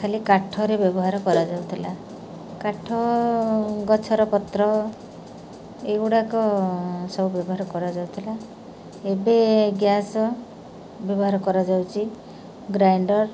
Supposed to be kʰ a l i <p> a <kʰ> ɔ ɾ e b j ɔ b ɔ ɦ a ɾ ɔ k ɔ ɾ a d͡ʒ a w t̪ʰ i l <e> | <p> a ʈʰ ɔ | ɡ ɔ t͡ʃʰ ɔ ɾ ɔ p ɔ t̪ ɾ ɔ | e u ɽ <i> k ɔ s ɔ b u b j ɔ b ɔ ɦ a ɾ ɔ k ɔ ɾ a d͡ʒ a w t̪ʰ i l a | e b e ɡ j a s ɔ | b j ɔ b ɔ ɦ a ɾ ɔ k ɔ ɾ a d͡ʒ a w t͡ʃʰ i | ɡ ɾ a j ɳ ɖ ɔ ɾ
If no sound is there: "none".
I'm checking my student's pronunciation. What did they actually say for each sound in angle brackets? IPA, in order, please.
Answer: k, ʈʰ, a, k, a

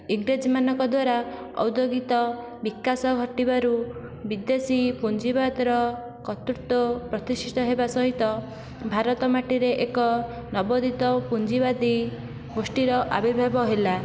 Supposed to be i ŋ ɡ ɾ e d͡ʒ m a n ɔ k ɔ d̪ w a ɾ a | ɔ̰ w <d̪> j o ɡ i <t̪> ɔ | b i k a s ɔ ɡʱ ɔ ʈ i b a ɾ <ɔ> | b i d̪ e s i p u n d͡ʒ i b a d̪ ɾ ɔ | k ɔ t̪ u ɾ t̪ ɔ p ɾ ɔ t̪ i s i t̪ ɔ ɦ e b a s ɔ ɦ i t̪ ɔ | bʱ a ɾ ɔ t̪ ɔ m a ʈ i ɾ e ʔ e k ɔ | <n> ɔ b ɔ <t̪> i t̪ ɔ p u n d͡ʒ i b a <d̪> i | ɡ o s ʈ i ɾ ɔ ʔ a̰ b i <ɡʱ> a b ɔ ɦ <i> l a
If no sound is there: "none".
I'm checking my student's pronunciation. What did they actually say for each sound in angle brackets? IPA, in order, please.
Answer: d̪, t̪, u, n, d̪, d̪, bʱ, e

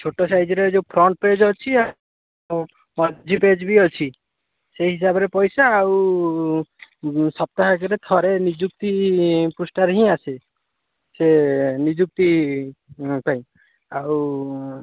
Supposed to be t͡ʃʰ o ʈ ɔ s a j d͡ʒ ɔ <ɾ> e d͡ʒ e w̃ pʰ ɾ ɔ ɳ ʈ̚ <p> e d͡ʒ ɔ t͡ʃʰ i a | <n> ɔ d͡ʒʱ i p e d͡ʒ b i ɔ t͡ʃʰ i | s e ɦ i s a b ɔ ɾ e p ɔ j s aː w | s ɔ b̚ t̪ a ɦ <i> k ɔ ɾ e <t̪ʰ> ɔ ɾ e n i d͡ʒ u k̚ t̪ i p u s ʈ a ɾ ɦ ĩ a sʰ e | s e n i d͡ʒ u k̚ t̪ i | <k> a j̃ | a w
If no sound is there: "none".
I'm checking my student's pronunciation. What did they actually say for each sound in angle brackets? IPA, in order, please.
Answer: ɾ, p, m, a, t̪ʰ, p

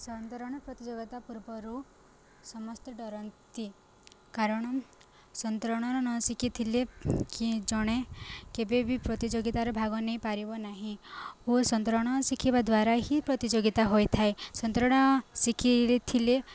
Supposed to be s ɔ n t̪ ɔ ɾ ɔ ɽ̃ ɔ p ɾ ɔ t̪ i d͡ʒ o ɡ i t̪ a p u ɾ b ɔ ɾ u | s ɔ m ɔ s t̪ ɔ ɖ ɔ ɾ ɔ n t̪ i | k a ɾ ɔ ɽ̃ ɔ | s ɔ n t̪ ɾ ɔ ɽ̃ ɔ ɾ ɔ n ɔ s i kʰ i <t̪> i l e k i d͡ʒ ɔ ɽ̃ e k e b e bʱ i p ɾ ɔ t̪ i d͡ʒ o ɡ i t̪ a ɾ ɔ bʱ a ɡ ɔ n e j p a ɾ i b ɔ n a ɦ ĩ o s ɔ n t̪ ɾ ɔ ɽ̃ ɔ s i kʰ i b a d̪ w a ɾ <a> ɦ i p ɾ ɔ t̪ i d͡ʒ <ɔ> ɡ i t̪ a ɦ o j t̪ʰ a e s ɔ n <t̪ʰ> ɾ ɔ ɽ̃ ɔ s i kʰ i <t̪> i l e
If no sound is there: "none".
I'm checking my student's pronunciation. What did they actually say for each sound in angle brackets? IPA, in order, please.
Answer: t̪ʰ, a, o, t̪, t̪ʰ

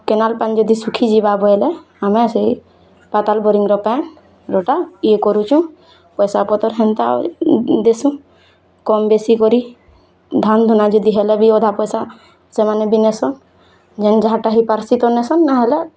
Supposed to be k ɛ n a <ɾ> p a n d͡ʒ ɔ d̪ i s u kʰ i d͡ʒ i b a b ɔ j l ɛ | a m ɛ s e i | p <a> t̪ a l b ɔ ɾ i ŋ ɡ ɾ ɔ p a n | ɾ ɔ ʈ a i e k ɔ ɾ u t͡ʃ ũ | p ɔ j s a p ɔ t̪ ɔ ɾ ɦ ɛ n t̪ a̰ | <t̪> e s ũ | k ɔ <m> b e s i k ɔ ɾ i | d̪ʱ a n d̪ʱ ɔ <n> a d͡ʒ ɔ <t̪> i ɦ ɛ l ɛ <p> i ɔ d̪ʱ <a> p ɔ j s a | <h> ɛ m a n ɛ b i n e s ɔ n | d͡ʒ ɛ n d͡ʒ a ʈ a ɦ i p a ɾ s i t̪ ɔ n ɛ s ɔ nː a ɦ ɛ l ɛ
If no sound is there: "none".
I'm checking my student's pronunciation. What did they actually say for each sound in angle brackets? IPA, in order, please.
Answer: l, a, d̪, m, n, d̪, b, a, s

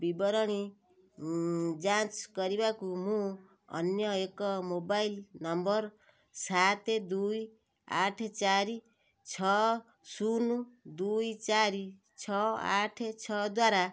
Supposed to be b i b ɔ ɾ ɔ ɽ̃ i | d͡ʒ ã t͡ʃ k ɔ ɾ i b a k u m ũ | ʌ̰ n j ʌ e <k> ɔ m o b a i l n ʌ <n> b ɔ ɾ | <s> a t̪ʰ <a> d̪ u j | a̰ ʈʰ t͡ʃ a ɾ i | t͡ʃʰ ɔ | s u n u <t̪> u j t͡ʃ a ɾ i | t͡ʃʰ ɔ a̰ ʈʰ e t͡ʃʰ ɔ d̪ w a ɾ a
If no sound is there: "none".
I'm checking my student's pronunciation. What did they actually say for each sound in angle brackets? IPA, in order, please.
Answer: k, m, s, e, d̪

